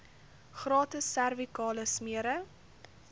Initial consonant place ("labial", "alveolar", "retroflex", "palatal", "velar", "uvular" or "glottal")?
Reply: uvular